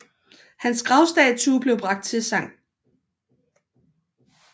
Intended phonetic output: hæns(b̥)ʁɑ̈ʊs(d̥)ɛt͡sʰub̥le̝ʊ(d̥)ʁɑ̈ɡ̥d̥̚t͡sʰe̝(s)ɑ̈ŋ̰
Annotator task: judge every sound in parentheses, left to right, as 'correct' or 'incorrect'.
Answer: incorrect, correct, incorrect, correct

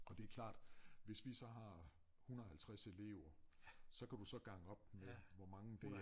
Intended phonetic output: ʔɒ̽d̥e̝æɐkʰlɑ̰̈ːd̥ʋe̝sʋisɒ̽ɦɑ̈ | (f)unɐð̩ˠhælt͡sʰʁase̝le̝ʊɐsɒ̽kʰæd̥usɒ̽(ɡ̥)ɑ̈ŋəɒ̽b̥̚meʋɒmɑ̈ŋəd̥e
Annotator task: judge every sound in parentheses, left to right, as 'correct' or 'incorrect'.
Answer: incorrect, correct

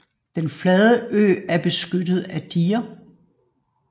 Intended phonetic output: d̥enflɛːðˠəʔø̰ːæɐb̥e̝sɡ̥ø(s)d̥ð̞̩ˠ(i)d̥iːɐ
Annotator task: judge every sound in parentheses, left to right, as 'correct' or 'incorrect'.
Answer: incorrect, incorrect

